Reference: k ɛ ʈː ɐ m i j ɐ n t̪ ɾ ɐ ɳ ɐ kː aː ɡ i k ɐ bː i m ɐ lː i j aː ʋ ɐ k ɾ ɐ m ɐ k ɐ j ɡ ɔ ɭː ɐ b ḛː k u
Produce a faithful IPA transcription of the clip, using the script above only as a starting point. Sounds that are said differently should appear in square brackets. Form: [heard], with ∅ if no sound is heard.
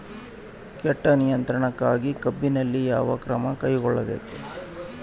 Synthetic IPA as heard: k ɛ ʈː ɐ [n] i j ɐ n t̪ ɾ ɐ ɳ ɐ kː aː ɡ i k ɐ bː i [n] ɐ lː i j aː ʋ ɐ k ɾ ɐ m ɐ k ɐ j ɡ ɔ ɭː ɐ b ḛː k u